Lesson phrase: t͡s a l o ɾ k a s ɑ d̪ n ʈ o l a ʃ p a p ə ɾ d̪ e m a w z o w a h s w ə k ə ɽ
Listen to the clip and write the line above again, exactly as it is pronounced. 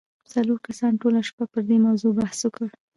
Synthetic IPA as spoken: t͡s a l o ɾ k a s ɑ n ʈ o l a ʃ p a p ə ɾ d̪ e m a w z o b a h s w ə k ə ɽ